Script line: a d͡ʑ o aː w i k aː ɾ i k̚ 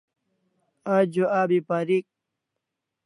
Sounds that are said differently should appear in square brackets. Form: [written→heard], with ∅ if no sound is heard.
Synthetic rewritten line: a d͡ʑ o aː [w→b] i [k→p] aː ɾ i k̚

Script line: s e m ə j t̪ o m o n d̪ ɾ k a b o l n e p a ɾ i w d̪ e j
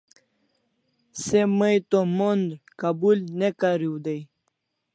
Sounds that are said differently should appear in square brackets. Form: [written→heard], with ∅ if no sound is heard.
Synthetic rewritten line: s e m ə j t̪ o m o n d̪ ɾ k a b [o→u] l n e [p→k] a ɾ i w d̪ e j

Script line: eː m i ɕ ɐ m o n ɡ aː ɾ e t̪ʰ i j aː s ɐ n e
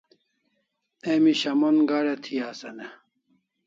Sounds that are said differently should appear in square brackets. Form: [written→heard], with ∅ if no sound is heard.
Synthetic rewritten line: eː m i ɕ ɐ m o n ɡ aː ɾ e t̪ʰ i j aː s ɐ n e

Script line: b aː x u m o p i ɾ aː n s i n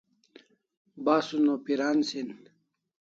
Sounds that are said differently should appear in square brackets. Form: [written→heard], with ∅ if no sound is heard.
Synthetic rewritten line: b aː [x→s] u [m→n] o p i ɾ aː n s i n

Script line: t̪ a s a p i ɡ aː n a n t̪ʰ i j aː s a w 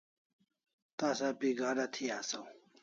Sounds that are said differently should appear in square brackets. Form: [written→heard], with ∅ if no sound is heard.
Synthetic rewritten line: t̪ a s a p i ɡ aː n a [n→∅] t̪ʰ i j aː s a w

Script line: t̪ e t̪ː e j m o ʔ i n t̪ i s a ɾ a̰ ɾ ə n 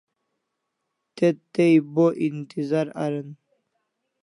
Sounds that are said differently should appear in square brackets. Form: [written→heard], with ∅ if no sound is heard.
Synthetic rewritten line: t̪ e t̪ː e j [m→b] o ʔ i n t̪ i [s→z] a ɾ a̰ ɾ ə n

